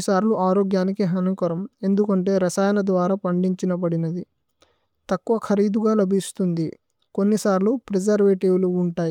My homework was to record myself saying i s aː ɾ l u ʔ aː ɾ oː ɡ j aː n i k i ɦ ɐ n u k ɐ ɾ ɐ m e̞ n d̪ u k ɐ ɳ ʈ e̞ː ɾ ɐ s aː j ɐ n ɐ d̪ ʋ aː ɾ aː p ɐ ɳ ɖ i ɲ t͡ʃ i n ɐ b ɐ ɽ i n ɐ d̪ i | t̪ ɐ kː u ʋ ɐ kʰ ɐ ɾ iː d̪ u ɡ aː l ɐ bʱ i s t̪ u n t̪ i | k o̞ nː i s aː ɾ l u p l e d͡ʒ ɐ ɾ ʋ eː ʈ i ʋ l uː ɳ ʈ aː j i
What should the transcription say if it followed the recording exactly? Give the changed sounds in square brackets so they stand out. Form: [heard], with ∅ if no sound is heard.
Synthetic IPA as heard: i s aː ɾ l u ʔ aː ɾ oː ɡ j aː n i k i ɦ ɐ n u k ɐ ɾ ɐ m e̞ n d̪ u k ɐ ɳ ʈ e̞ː ɾ ɐ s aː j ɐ n ɐ d̪ ʋ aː ɾ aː p ɐ ɳ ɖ i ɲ t͡ʃ i n ɐ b ɐ ɽ i n ɐ d̪ i | t̪ ɐ kː u ʋ ɐ kʰ ɐ ɾ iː d̪ u ɡ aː l ɐ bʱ i s t̪ u n [d̪] i | k o̞ nː i s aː ɾ l u p [ɾ] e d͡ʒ ɐ ɾ ʋ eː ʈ i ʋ l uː ɳ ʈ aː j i